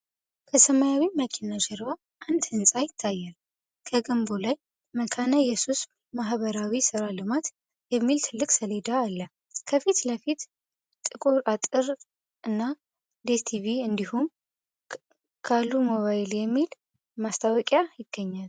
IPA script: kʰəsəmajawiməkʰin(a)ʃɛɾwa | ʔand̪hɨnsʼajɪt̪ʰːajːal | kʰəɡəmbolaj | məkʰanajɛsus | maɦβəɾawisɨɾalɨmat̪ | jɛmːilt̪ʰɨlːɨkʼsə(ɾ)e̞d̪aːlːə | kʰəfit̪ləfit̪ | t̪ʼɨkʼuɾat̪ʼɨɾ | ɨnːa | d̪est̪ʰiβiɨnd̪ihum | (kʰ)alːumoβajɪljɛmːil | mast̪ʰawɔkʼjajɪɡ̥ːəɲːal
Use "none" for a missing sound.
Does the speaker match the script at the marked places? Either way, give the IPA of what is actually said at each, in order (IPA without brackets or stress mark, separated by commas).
a, l, kʰ